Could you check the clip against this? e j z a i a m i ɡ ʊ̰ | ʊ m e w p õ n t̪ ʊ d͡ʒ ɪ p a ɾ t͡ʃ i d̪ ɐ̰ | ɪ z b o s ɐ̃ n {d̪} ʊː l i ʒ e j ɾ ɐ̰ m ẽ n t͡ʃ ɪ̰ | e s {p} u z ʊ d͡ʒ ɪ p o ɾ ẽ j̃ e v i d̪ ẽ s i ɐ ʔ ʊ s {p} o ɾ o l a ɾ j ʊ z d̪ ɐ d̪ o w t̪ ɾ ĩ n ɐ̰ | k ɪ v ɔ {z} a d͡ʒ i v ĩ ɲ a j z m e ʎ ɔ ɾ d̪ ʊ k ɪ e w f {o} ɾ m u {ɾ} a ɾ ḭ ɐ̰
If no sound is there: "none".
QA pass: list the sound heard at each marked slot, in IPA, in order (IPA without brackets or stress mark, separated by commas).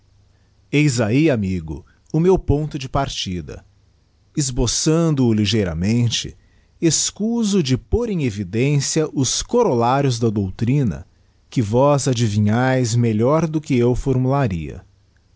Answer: d̪, k, k, z, o, l